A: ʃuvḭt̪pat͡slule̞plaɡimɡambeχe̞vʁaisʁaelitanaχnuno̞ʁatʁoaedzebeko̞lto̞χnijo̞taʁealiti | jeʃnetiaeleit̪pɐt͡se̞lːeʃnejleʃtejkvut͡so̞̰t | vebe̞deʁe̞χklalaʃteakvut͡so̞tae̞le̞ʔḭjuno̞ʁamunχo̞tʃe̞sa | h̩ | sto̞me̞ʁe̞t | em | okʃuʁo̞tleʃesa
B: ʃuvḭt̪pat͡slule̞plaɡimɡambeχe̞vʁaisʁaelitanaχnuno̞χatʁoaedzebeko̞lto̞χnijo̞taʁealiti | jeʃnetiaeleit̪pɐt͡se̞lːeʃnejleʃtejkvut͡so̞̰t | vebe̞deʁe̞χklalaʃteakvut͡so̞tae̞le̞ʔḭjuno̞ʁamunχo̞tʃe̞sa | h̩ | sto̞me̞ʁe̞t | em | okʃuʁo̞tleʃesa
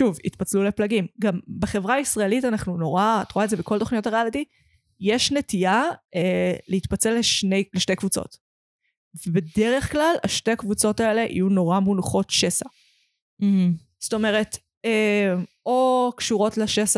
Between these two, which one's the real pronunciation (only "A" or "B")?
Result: A